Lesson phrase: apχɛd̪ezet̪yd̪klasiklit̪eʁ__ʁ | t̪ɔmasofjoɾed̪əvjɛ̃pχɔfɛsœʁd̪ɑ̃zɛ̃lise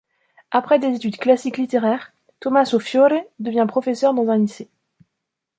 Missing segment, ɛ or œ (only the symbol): ɛ